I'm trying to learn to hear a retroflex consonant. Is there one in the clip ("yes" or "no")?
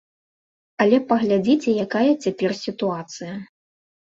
no